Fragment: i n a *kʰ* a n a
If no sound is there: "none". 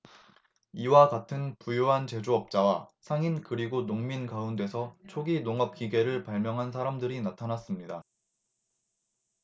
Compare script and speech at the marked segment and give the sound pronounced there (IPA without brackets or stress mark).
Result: tʰ